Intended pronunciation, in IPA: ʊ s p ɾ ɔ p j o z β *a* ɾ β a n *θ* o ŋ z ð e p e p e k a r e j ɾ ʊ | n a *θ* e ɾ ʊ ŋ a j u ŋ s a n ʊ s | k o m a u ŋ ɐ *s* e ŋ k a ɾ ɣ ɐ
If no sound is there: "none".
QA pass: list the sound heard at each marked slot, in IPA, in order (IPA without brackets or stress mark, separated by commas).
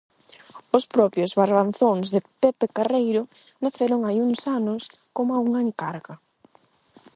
a, θ, θ, none